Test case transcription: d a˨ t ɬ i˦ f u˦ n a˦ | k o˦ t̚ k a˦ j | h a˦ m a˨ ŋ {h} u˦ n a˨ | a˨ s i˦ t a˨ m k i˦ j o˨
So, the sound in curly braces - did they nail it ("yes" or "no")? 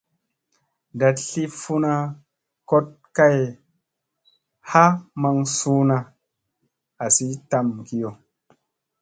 no